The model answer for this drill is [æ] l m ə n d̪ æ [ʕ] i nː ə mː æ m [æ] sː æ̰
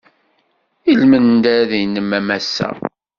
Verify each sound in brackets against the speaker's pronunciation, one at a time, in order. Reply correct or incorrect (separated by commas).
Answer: incorrect, incorrect, correct